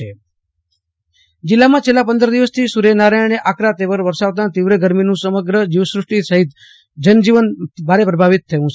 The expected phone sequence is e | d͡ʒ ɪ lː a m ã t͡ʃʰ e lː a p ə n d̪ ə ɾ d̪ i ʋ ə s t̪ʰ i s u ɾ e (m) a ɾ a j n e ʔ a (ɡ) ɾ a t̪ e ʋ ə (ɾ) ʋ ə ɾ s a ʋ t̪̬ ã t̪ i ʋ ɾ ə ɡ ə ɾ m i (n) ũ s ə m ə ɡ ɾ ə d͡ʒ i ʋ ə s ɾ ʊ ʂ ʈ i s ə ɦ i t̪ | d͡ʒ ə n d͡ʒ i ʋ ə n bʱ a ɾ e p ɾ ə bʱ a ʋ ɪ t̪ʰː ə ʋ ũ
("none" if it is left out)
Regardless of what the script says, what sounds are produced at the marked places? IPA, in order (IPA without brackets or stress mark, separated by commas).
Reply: n, k, ɾ, n